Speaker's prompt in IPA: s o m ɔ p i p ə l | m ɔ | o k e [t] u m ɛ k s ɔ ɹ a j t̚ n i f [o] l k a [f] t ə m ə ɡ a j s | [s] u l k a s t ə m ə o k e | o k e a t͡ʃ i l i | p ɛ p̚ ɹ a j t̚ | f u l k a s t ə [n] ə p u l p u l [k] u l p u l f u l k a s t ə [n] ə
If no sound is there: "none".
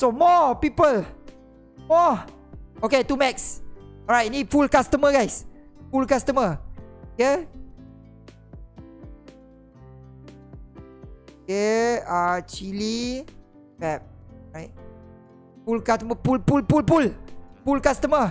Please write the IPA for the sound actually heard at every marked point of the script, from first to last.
t, u, s, f, m, p, m

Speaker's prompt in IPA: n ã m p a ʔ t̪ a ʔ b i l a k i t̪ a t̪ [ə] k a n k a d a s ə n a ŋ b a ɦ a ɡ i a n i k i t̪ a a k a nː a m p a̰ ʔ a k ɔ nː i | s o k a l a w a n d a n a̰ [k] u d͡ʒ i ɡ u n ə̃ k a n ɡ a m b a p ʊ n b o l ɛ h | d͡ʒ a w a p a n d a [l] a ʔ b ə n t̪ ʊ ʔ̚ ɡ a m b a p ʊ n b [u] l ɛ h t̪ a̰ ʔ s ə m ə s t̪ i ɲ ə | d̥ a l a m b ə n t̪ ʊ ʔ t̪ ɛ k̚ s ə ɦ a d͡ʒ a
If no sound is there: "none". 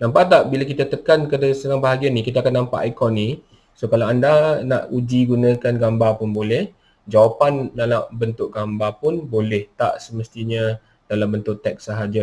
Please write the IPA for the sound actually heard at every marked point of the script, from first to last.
ə, ʔ, l, o

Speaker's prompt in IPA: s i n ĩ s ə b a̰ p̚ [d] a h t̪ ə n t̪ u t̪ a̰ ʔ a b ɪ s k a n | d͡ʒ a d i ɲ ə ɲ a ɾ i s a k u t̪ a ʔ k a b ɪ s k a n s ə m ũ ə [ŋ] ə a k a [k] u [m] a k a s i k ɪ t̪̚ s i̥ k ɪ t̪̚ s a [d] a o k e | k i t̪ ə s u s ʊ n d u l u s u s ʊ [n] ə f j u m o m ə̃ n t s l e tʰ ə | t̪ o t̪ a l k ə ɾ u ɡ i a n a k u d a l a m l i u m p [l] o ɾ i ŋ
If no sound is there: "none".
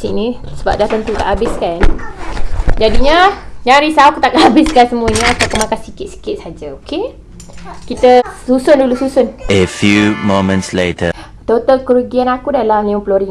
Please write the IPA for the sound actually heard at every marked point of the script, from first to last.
d, ɲ, k, m, d͡ʒ, n, l

